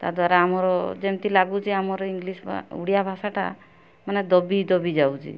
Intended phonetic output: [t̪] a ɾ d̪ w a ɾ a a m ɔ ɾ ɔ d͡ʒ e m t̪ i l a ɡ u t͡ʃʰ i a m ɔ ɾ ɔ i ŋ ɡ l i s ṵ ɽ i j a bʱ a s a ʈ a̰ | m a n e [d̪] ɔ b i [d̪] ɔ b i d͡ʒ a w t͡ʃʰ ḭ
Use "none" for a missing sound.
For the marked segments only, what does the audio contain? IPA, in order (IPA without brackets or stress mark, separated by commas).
t̪, d̪, d̪